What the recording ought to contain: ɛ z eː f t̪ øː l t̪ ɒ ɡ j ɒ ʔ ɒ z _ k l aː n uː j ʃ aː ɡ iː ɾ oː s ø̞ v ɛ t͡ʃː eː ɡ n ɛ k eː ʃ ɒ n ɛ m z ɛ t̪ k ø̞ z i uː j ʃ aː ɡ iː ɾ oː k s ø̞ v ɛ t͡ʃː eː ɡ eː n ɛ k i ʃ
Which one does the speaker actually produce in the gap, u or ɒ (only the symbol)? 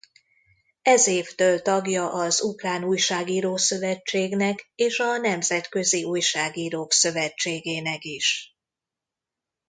u